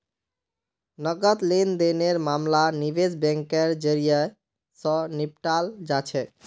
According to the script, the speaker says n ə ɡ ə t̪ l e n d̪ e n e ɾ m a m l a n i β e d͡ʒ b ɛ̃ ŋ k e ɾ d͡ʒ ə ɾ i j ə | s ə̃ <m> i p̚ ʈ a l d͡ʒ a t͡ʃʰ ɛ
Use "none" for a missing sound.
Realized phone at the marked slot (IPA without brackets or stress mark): n